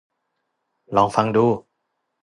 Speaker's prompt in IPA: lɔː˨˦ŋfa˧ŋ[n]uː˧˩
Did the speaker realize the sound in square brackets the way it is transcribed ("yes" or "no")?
no